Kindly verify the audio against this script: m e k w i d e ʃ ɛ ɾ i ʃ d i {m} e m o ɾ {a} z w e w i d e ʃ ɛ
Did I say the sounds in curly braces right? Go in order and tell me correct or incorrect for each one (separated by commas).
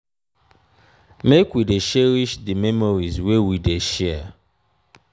correct, incorrect